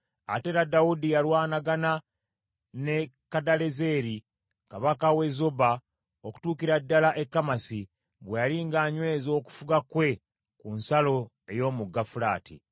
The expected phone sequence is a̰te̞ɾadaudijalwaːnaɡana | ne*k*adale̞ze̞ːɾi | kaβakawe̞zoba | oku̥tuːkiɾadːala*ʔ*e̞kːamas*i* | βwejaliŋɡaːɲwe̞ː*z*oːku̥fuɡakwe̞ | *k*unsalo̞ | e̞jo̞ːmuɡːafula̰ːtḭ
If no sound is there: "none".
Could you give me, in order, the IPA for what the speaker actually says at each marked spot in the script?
k, ʔ, i, z, k

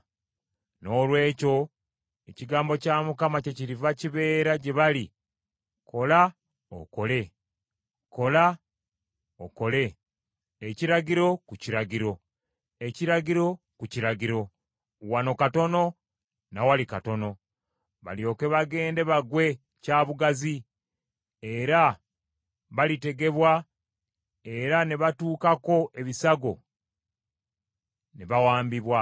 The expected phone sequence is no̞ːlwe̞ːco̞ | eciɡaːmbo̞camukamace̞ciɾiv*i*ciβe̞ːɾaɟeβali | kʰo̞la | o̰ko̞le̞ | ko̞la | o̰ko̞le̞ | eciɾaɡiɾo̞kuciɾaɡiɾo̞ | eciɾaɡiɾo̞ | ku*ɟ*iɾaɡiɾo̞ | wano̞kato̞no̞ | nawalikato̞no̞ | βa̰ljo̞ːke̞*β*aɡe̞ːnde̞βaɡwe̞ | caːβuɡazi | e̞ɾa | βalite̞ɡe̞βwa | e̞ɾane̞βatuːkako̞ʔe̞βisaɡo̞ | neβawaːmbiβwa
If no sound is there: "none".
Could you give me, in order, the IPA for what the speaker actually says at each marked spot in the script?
a, c, β

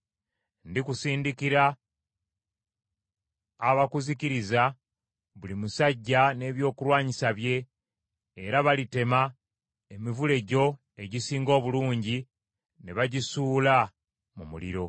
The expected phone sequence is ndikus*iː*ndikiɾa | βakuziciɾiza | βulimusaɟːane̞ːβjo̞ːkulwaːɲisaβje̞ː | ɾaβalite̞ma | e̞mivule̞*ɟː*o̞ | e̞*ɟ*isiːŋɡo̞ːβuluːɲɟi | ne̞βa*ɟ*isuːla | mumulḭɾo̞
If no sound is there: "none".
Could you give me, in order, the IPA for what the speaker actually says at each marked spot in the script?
iː, ɟ, ɟ, ɟ

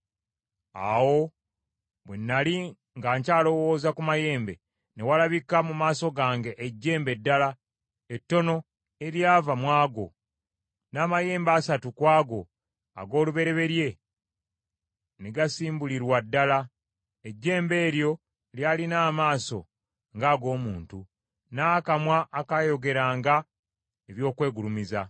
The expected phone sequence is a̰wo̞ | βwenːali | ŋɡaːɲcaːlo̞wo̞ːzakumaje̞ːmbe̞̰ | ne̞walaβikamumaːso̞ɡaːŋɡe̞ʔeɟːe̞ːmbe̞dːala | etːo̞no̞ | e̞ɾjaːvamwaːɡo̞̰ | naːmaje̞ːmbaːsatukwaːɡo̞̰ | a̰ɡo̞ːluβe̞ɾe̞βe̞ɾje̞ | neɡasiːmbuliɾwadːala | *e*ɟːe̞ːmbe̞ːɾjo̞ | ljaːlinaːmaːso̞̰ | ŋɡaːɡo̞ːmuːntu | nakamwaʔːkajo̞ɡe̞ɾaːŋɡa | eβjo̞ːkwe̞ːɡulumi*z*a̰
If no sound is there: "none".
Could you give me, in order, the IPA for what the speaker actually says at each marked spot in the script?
e, z

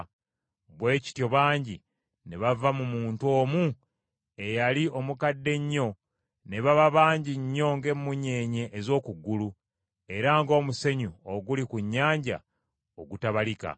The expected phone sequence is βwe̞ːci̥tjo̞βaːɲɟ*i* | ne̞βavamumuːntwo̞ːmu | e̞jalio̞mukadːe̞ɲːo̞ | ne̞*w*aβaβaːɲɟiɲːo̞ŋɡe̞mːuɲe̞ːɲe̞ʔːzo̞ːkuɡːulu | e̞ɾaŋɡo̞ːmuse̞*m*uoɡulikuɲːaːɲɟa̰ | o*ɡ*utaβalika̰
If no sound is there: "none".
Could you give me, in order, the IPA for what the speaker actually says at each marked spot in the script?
i, β, ɲ, ɡ

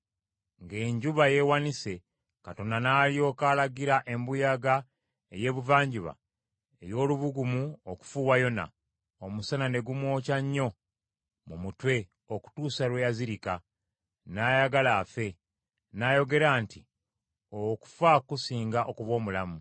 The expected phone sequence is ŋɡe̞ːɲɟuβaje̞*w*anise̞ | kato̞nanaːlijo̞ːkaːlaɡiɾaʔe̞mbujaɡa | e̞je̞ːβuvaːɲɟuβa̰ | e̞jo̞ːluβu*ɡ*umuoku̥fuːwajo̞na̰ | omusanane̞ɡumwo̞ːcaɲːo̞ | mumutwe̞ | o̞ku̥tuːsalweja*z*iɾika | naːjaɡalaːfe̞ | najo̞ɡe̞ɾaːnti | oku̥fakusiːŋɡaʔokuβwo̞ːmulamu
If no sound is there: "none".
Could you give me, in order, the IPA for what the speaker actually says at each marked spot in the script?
w, ɡ, z

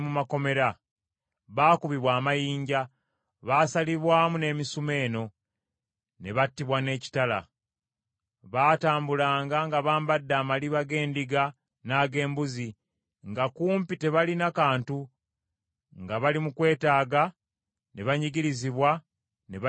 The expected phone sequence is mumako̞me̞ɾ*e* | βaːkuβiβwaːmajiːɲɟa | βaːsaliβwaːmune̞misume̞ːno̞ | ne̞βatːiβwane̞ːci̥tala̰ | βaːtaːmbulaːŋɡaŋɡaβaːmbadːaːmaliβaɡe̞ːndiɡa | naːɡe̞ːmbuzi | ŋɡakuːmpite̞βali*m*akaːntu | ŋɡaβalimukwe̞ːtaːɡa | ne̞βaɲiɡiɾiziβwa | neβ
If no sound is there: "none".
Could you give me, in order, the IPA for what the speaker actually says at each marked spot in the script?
a, n

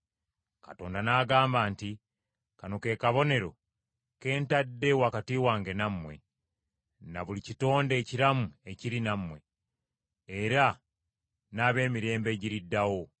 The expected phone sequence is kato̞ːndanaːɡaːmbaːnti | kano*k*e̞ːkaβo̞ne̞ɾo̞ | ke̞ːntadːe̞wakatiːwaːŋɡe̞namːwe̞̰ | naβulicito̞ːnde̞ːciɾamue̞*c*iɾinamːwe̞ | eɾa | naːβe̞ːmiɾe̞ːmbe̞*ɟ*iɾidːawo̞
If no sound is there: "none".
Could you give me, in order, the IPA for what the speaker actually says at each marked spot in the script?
k, c, ɟ

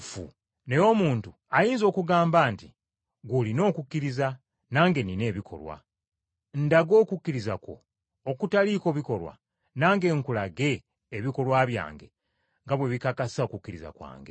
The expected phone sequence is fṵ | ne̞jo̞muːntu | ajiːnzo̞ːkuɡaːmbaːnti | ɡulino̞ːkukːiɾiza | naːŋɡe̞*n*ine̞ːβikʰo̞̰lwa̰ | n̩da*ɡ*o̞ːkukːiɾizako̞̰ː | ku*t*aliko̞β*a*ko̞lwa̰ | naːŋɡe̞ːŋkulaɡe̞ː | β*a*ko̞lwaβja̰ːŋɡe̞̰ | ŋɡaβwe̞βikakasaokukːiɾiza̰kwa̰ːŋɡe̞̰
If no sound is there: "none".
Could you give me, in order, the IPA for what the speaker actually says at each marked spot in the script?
n, ɡ, t, i, i

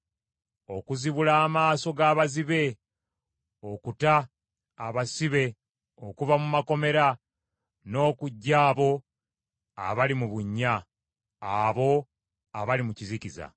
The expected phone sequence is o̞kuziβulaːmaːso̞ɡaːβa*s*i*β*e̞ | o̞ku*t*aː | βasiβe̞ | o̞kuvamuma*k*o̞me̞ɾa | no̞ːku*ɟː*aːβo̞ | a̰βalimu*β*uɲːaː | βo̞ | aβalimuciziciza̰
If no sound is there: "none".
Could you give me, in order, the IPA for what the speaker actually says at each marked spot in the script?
z, β, t, k, ɟː, β

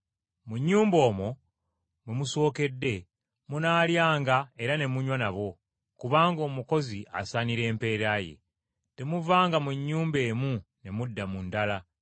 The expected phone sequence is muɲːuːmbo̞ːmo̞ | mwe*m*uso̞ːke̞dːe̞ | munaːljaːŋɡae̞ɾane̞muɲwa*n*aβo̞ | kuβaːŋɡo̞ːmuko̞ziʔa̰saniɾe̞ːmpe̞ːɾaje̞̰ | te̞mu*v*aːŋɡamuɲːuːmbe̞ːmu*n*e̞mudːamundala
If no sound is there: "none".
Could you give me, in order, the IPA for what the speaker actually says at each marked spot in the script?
m, n, v, n

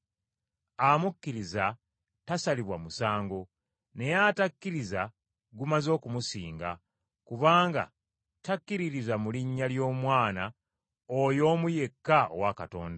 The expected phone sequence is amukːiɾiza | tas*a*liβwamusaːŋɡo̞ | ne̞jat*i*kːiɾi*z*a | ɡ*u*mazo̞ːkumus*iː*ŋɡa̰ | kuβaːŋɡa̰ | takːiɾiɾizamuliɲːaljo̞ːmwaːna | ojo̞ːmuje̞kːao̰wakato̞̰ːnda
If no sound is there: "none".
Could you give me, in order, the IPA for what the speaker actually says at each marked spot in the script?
a, a, z, u, iː

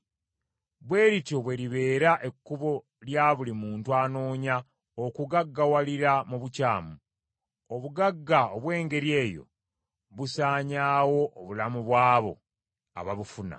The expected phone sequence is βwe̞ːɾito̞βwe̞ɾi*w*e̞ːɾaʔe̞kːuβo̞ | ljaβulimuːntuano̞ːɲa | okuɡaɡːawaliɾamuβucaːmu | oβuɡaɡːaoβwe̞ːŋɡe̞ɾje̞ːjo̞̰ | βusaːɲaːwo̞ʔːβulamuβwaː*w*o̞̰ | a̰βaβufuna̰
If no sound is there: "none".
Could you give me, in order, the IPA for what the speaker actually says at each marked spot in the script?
β, β

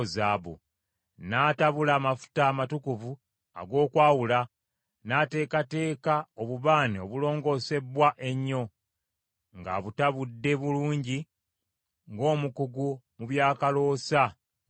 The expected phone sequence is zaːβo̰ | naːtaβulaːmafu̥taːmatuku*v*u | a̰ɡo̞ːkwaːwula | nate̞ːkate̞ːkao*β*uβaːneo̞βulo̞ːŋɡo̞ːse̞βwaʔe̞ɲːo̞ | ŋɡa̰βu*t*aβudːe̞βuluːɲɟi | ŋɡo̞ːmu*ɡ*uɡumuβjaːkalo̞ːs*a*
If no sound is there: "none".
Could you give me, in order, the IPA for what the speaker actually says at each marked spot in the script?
v, β, t, k, a

